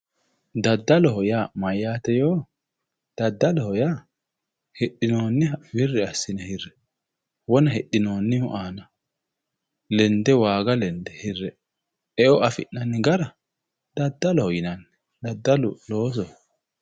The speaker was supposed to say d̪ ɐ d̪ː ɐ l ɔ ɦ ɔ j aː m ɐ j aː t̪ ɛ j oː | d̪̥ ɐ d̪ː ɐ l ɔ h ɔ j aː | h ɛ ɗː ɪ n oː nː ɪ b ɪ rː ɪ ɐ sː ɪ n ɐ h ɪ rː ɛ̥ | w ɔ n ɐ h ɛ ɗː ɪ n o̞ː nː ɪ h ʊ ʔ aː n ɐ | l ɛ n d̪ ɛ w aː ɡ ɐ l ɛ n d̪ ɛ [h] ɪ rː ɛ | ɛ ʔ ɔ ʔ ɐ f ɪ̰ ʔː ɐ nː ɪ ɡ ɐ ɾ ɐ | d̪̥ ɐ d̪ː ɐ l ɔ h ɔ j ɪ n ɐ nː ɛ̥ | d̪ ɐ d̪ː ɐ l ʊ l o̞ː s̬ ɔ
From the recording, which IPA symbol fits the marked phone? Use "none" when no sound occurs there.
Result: h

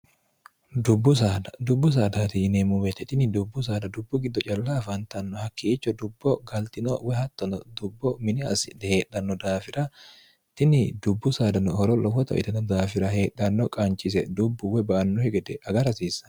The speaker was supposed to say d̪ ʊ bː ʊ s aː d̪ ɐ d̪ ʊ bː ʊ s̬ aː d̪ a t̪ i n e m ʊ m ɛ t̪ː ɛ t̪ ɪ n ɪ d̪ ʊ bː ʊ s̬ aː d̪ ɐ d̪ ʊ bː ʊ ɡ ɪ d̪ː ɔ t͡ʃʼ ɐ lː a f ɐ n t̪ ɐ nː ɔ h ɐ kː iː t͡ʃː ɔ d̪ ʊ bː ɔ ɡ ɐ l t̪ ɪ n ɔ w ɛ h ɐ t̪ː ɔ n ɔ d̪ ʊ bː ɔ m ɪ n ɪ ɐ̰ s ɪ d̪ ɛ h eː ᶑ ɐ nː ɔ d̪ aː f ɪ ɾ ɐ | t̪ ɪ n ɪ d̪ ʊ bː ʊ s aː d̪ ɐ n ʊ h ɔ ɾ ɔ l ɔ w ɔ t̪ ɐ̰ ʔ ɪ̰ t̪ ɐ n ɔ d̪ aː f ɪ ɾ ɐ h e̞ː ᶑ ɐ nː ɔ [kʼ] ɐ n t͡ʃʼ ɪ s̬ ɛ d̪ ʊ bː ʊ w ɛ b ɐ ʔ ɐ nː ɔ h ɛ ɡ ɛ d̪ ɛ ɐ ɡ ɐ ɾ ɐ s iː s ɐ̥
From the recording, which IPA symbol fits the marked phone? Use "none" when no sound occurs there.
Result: kʼ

